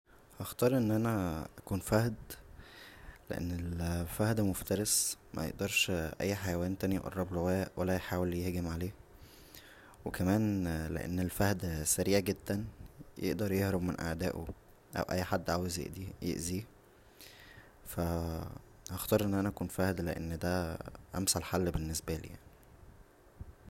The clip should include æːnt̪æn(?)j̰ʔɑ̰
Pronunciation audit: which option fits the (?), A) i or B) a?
A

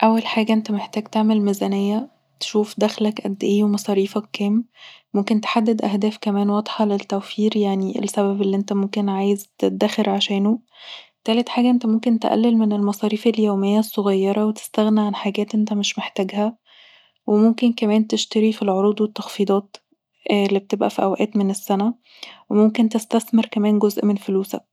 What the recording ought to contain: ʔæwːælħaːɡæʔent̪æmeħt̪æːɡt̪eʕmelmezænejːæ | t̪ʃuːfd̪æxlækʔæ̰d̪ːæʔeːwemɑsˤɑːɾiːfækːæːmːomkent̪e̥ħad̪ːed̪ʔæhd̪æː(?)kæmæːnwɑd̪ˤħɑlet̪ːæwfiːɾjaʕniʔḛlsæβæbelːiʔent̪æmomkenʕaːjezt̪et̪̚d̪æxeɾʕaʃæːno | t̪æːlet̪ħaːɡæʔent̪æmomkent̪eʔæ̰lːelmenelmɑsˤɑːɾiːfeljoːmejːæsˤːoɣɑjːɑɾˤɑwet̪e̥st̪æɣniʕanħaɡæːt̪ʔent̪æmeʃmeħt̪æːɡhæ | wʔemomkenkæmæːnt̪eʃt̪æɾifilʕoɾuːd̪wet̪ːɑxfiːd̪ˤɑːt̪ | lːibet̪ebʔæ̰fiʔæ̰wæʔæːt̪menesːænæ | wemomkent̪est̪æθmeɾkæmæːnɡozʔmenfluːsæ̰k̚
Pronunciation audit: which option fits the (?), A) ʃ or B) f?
B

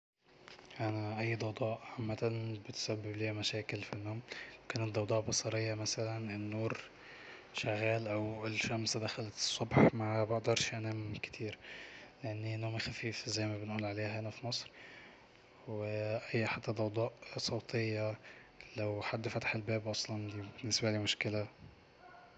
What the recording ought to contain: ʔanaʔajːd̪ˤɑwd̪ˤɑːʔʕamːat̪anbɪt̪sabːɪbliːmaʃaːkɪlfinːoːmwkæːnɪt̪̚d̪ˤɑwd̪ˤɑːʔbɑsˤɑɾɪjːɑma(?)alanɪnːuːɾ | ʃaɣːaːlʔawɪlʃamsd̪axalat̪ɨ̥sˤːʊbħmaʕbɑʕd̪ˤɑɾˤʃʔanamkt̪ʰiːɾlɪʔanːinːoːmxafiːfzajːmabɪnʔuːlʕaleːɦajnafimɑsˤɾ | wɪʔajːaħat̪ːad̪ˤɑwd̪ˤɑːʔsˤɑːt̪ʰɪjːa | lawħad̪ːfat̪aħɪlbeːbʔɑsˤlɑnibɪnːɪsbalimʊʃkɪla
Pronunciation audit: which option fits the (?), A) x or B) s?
B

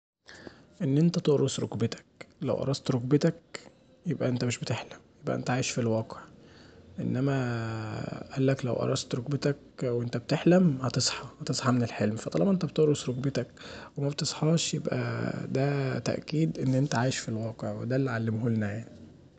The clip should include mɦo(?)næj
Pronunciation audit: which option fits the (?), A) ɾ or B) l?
B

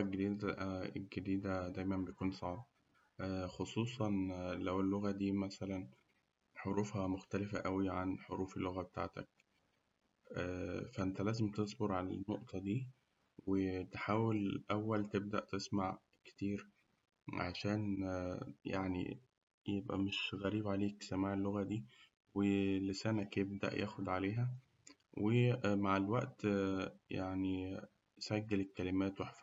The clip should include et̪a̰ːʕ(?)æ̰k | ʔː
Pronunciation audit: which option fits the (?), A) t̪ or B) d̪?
A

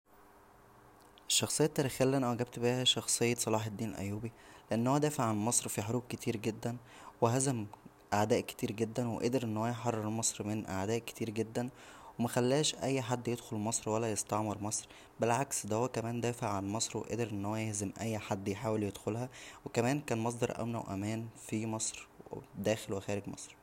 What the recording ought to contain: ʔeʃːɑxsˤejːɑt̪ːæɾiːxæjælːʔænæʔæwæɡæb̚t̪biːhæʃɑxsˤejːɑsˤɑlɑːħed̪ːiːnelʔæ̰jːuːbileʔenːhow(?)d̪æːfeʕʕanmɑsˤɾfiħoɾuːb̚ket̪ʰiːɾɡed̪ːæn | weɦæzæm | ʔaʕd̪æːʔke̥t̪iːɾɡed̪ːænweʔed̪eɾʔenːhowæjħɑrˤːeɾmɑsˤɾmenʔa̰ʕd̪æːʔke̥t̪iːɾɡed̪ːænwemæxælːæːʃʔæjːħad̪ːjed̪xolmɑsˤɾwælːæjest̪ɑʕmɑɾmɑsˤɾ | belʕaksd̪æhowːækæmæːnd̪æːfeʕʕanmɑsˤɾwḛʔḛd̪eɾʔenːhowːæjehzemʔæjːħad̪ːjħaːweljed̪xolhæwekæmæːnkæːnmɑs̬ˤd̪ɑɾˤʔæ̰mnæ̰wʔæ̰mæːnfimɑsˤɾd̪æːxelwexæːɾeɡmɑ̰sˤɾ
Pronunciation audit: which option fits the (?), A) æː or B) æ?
B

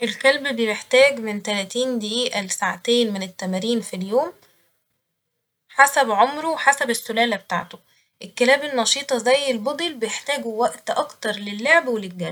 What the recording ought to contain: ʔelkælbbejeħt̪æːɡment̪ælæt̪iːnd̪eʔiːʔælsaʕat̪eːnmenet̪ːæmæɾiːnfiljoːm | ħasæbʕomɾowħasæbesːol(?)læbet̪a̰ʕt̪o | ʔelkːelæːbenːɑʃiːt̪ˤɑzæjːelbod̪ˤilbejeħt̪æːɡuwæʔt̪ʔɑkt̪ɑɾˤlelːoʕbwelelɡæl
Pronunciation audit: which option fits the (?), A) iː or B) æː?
B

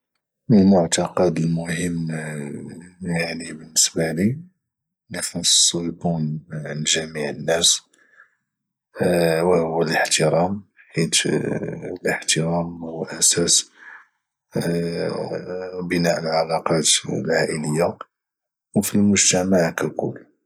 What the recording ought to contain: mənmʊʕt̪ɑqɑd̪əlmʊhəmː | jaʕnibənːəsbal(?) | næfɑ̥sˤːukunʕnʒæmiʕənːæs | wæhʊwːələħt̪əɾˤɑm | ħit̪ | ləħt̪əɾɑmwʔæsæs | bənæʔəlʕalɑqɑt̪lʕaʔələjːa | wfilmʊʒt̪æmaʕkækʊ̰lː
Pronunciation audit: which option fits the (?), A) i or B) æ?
A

